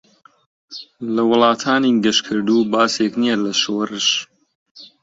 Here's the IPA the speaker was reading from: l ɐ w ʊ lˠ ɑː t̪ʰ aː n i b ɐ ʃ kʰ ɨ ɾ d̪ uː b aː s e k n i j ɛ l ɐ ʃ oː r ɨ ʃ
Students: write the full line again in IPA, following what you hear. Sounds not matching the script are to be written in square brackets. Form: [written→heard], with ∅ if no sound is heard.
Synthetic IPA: l ɐ w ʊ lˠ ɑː t̪ʰ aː n i [b→ɡ] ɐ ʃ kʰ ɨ ɾ d̪ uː b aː s e k n i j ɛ l ɐ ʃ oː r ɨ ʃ